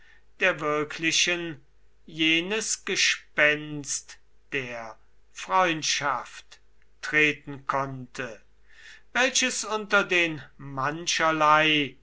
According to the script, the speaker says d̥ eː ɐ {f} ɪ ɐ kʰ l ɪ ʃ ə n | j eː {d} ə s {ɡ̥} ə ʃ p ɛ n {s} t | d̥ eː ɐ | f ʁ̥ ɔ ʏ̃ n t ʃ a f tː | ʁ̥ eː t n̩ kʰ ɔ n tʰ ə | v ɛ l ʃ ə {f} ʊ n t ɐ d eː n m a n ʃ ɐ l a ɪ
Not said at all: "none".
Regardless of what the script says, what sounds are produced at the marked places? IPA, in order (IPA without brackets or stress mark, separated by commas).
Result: v, n, ɡ̥, s, s